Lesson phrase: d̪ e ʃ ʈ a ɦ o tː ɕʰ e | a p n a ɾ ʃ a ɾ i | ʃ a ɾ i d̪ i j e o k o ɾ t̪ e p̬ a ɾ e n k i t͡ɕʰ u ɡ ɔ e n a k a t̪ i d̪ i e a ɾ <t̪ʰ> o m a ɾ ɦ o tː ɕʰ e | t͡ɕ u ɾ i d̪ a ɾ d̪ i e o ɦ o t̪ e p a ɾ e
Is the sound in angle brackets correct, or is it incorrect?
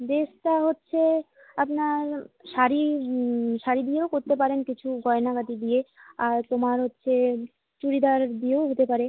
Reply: incorrect